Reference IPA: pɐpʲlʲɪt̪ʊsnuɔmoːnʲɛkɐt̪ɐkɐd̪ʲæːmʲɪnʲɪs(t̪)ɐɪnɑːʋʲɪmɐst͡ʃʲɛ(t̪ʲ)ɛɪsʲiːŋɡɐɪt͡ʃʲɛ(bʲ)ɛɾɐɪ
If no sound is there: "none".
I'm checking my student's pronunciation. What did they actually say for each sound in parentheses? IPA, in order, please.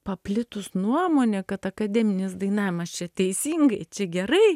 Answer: d̪, t̪ʲ, ɡʲ

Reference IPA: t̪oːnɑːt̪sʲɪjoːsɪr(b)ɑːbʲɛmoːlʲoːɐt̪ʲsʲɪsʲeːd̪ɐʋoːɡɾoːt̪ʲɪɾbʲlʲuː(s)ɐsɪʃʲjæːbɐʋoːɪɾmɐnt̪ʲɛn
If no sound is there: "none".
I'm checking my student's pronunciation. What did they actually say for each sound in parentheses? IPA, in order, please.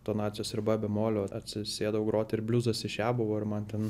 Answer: b, z

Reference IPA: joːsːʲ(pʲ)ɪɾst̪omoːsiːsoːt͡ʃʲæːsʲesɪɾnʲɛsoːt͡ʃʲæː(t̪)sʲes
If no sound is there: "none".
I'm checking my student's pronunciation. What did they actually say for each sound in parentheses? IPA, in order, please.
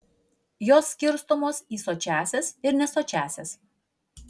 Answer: kʲ, none

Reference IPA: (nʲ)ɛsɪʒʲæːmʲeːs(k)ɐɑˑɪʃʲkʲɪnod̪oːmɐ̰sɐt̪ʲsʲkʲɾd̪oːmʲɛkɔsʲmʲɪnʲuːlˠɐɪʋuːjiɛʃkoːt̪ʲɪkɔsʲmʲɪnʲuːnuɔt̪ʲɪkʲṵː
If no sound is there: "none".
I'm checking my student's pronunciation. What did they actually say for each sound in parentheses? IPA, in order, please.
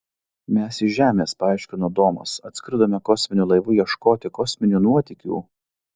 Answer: mʲ, p

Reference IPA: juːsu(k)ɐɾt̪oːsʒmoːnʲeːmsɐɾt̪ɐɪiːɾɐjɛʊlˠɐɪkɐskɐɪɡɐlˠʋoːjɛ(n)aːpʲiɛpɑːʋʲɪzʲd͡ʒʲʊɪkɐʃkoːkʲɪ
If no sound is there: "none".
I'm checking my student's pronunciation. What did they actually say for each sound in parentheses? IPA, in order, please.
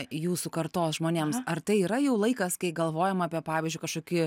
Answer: k, m

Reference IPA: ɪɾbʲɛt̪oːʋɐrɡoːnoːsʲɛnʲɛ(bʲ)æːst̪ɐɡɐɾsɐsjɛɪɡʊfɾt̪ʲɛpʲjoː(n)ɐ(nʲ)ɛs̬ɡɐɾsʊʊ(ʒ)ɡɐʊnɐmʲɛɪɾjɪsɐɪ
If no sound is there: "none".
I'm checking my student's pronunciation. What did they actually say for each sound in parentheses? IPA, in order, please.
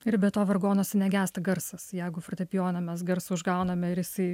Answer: ɡʲ, n, mʲ, ʒ

